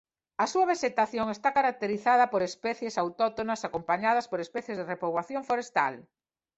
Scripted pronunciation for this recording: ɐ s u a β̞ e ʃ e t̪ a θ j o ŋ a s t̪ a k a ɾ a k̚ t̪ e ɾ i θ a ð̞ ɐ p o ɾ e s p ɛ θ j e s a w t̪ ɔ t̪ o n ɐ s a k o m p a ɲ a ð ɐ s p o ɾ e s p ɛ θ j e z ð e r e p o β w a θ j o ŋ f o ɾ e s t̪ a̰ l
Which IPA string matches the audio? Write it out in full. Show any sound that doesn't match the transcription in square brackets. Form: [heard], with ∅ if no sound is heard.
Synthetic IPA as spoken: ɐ s u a β̞ e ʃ e t̪ a θ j o ŋ [e] s t̪ a k a ɾ a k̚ t̪ e ɾ i θ a ð̞ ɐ p o ɾ e s p ɛ θ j e s a w t̪ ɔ t̪ o n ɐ s a k o m p a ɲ a ð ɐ s p o ɾ e s p ɛ θ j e z ð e r e p o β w a θ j o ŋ f o ɾ e s t̪ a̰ l